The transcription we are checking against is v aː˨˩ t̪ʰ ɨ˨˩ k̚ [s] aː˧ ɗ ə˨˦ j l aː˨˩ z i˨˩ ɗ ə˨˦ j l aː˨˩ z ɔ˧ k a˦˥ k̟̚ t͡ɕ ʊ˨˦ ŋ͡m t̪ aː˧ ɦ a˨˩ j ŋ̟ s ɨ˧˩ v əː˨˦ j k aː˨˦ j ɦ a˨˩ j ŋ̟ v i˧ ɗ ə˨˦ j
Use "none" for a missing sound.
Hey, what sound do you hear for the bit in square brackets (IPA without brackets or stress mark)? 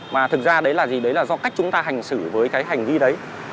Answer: z